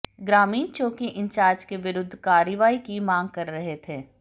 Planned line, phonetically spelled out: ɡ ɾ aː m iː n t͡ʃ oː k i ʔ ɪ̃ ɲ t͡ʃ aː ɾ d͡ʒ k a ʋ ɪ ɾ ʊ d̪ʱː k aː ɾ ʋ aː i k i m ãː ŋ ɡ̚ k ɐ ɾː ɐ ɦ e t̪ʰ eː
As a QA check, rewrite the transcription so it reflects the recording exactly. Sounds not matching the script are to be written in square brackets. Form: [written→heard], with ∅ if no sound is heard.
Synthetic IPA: ɡ ɾ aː m iː n t͡ʃ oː k i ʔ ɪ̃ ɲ t͡ʃ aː ɾ d͡ʒ k [a→e] ʋ ɪ ɾ ʊ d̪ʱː k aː ɾ ʋ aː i k i m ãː ŋ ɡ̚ k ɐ ɾː ɐ ɦ e t̪ʰ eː

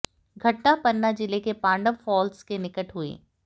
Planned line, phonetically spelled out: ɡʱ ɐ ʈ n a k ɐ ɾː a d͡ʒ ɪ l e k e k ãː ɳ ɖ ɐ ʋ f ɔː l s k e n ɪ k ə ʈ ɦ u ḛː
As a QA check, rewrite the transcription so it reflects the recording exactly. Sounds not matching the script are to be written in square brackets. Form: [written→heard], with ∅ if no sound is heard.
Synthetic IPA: ɡʱ ɐ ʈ n a [k→p] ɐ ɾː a d͡ʒ ɪ l e k e [k→p] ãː ɳ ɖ [ɐ→ə] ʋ f ɔː l s k e n ɪ k ə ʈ ɦ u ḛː

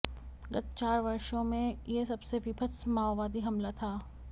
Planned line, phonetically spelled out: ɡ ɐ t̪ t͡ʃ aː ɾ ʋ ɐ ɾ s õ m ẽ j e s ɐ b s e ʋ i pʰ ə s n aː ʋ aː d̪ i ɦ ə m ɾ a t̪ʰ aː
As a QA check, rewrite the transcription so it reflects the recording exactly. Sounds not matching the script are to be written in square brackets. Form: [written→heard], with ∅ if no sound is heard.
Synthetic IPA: ɡ ɐ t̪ t͡ʃ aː ɾ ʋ ɐ ɾ [s→ʃ] õ m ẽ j e s ɐ b s e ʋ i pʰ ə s [n→m] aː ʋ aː d̪ i ɦ [ə→ɐ] m [ɾ→l] a t̪ʰ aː

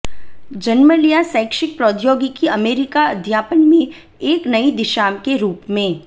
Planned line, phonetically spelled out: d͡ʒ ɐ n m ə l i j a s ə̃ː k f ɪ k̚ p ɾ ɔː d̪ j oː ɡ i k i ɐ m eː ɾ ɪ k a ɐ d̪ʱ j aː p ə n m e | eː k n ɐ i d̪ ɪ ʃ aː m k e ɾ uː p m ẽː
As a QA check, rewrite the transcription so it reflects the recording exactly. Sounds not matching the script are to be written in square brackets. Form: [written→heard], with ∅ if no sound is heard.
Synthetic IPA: d͡ʒ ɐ n m ə l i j a s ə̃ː k [f→ʃ] ɪ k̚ p ɾ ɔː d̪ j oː ɡ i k i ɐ m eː ɾ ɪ k a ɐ d̪ʱ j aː p ə n m [e→ẽ] | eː k n ɐ i d̪ ɪ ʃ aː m k e ɾ uː p m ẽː

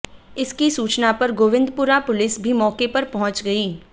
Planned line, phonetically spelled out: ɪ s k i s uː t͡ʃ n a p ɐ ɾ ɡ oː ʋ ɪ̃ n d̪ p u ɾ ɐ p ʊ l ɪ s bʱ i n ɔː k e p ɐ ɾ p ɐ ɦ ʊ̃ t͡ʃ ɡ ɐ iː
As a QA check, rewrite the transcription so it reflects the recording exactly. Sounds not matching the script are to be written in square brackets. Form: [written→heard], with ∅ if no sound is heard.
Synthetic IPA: ɪ s k i s uː t͡ʃ n a p ɐ ɾ ɡ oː ʋ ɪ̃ n d̪ p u ɾ [ɐ→a] p ʊ l ɪ s bʱ i [n→m] ɔː k e p ɐ ɾ p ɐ ɦ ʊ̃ t͡ʃ ɡ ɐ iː

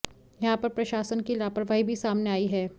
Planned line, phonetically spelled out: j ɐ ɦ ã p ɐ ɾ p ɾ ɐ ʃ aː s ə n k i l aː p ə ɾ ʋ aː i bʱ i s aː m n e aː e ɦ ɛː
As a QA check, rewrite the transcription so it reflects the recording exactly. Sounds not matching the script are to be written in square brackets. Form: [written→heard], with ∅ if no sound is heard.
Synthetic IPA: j ɐ ɦ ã p ɐ ɾ p ɾ ɐ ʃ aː s ə n k i l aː p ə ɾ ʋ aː i bʱ i s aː m n e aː [e→i] ɦ ɛː

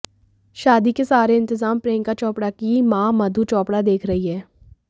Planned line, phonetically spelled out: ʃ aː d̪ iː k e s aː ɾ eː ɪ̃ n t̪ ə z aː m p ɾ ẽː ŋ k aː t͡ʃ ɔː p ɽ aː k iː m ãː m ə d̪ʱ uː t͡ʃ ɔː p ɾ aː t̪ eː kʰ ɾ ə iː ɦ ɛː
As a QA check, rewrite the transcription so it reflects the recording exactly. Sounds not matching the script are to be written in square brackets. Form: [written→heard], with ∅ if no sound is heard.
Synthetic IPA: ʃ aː d̪ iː k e s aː ɾ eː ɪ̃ n t̪ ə z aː m p ɾ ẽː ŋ k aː t͡ʃ ɔː p ɽ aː k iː m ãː m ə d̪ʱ uː t͡ʃ ɔː p [ɾ→ɽ] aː [t̪→d̪] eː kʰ ɾ ə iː ɦ ɛː

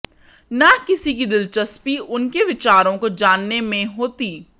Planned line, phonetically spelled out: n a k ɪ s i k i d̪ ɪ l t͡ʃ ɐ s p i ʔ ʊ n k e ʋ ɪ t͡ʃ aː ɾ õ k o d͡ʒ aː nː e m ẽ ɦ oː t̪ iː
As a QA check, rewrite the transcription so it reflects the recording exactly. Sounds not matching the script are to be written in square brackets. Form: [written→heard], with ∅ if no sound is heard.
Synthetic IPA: n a k ɪ s i k i d̪ ɪ l t͡ʃ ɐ s p i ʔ ʊ n k e ʋ ɪ t͡ʃ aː ɾ õ k o d͡ʒ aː nː e m ẽ ɦ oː t̪ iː

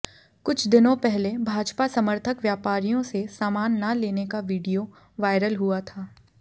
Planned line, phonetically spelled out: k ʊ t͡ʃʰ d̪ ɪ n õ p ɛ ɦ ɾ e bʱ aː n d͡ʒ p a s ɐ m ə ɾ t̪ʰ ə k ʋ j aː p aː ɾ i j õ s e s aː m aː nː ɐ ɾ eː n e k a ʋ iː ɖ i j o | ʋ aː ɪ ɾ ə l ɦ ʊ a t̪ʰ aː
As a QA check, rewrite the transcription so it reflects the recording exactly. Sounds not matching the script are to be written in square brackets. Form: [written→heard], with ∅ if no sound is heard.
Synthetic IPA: k ʊ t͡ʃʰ d̪ ɪ n õ p ɛ ɦ [ɾ→l] e bʱ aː [n→∅] d͡ʒ p a s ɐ m ə ɾ t̪ʰ ə k ʋ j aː p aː ɾ i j õ s e s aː m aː nː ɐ [ɾ→l] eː n e k a ʋ iː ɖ i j o | ʋ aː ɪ ɾ ə l ɦ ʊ a t̪ʰ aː

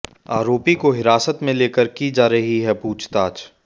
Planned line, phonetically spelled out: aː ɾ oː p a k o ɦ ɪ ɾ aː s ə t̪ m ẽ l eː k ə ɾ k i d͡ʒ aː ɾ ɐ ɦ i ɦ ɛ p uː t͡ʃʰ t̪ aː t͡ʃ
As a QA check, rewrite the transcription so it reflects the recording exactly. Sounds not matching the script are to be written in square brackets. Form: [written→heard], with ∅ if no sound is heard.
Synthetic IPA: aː ɾ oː p [a→i] k o ɦ ɪ ɾ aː s ə t̪ m ẽ l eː k ə ɾ k i d͡ʒ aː ɾ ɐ ɦ i ɦ ɛ p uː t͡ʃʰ t̪ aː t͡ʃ

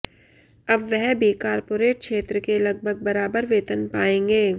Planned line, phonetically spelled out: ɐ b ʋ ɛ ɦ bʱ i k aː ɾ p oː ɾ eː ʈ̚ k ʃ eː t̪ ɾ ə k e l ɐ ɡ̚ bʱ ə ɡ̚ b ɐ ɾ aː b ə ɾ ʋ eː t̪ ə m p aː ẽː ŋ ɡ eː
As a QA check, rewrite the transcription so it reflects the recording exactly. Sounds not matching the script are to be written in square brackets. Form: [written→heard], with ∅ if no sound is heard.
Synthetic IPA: ɐ b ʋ ɛ ɦ bʱ i k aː ɾ p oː ɾ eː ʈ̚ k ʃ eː t̪ ɾ ə k e l ɐ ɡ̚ bʱ ə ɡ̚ b ɐ ɾ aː b ə ɾ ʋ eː t̪ ə [m→n] p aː ẽː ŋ ɡ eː

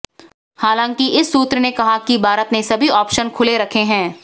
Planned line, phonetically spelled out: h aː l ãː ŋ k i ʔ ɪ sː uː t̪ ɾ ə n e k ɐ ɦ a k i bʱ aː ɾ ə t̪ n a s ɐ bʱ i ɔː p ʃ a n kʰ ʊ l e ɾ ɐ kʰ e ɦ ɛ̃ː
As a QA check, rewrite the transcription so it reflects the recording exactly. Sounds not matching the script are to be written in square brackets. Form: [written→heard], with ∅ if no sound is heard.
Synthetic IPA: h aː l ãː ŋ k i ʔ ɪ sː uː t̪ ɾ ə n e k ɐ ɦ a k i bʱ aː ɾ ə t̪ n [a→e] s ɐ bʱ i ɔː p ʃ [a→ə] n kʰ ʊ l e ɾ ɐ kʰ e ɦ ɛ̃ː

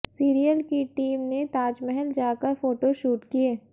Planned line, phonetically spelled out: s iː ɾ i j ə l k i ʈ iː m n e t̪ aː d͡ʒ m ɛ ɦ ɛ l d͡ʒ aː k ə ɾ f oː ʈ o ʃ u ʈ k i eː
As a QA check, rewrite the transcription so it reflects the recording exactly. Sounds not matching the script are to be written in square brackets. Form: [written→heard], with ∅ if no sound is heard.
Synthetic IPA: s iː ɾ i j ə l k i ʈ iː m n e t̪ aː d͡ʒ m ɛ ɦ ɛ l d͡ʒ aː k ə ɾ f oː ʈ o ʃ [u→uː] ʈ k i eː

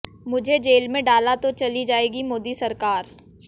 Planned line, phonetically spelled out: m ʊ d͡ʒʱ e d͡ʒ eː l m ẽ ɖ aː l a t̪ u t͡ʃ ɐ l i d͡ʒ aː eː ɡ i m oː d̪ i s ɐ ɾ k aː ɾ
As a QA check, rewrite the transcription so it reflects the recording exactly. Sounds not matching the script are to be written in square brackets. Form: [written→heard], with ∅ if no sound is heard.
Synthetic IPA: m ʊ d͡ʒʱ e d͡ʒ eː l m ẽ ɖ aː l a t̪ [u→o] t͡ʃ ɐ l i d͡ʒ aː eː ɡ i m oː d̪ i s ɐ ɾ k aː ɾ

